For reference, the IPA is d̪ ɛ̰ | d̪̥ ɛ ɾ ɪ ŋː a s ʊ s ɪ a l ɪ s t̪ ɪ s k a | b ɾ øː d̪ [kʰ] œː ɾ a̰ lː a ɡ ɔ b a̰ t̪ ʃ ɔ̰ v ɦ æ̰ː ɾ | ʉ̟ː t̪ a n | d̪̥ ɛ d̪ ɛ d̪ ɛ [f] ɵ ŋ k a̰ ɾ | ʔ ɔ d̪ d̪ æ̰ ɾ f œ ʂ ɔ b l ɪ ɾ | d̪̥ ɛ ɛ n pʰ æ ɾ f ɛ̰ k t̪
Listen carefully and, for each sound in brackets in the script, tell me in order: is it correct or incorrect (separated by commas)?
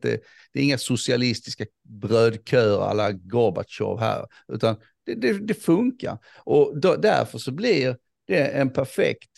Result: correct, correct